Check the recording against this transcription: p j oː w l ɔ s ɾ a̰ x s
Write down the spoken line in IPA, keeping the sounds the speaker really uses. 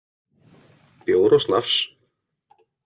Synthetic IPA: p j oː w ɾ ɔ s l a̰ f s